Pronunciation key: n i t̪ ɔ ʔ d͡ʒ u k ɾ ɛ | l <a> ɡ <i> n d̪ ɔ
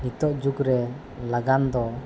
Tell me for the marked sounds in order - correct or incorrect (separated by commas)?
correct, incorrect